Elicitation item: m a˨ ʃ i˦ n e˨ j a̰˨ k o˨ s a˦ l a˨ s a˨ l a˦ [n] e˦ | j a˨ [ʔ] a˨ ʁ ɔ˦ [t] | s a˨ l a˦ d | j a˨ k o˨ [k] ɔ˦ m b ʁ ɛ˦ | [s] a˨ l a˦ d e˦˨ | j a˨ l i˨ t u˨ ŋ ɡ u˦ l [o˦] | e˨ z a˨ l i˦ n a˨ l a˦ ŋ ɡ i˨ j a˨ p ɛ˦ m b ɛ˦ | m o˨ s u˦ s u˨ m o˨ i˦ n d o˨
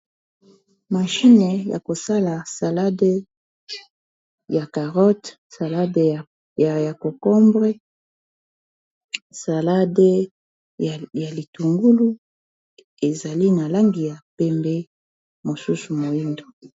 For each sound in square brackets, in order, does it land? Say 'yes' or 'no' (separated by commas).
no, no, yes, yes, yes, no